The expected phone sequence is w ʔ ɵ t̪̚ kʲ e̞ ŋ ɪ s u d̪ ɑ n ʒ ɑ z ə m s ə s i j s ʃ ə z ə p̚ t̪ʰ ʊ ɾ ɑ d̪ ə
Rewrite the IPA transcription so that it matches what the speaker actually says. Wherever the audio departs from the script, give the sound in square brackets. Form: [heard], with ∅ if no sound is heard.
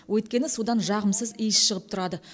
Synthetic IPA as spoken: w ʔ ɵ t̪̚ kʲ e̞ [n] ɪ s u d̪ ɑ n ʒ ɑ [ʁ] ə m s ə [z] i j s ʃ ə [ʁ] ə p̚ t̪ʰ ʊ ɾ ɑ d̪ ə